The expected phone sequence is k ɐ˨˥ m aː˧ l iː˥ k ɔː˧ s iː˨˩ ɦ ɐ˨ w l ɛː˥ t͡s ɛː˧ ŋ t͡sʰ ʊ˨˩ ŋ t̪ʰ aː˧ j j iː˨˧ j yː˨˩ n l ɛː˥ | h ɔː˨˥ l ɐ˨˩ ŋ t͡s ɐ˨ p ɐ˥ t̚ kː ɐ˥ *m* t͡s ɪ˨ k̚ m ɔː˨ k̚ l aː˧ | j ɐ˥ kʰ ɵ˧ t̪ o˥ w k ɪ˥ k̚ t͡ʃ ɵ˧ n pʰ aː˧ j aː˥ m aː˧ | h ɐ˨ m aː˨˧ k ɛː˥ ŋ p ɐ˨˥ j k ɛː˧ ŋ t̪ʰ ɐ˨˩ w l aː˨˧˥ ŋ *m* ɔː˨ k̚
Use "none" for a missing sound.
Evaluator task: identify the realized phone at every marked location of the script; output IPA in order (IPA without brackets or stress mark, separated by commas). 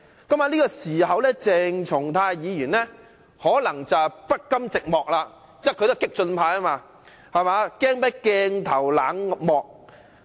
m, m